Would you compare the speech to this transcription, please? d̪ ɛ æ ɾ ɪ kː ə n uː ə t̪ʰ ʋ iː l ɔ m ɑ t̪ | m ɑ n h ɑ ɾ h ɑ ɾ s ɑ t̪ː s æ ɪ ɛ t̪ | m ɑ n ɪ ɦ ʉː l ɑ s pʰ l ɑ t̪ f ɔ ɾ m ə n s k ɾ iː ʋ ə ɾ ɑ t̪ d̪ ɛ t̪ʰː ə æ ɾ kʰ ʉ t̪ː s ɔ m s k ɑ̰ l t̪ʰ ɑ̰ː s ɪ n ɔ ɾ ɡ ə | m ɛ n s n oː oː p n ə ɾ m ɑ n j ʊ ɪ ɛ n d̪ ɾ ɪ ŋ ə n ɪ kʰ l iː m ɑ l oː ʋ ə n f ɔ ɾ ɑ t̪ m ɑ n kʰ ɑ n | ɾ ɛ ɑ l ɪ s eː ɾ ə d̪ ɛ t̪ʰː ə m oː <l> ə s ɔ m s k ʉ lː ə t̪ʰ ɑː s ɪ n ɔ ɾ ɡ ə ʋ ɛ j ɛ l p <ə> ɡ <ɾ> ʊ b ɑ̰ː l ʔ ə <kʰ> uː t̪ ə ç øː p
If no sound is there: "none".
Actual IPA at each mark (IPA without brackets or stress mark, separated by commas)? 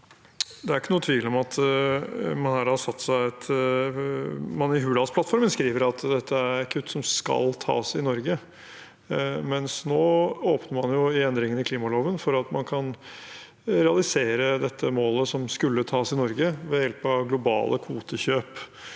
l, ɑ, l, kʰ